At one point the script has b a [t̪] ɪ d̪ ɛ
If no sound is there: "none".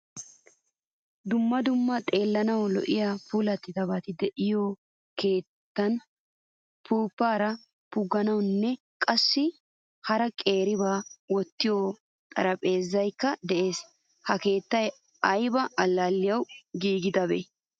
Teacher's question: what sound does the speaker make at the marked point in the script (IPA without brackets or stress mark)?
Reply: t̪